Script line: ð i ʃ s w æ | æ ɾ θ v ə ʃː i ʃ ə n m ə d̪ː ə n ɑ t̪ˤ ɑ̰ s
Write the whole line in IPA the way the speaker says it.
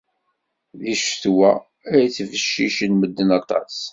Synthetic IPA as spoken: ð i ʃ θ w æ | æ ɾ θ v ə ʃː i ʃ ə n m ə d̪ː ə n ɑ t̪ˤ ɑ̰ s